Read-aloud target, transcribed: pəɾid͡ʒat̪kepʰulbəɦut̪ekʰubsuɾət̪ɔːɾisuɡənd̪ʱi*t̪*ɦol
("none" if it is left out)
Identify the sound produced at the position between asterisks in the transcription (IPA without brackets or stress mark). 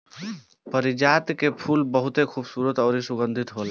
t̪